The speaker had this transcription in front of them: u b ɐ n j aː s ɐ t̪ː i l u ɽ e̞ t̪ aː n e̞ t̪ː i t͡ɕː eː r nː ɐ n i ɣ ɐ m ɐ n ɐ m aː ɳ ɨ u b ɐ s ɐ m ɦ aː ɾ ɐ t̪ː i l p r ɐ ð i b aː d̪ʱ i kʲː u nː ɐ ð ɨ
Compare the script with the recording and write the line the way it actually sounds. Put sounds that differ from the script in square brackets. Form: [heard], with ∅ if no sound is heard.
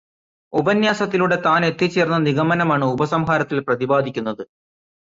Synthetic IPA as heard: u b ɐ n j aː s ɐ t̪ː i l u ɽ e̞ t̪ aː n e̞ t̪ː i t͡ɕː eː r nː ɐ n i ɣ ɐ m ɐ n ɐ m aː ɳ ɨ u b ɐ s ɐ m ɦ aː ɾ ɐ t̪ː i l p r ɐ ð i b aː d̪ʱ i kʲː u nː ɐ ð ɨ